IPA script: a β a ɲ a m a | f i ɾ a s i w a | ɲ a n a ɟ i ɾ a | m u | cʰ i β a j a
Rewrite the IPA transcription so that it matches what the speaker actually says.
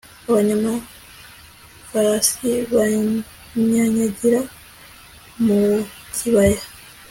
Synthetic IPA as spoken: a β a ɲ a m a | f a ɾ a s i β a | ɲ a ɲ a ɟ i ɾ a | m u | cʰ i β a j a